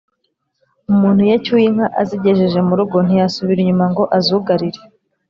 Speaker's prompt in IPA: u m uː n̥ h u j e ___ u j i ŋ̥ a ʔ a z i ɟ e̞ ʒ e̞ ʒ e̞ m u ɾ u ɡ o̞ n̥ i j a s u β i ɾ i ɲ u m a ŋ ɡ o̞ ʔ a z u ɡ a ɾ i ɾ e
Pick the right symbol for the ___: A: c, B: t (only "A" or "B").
A